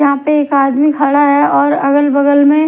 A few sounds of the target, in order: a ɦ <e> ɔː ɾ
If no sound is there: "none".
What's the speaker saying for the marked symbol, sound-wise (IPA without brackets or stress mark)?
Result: ɛ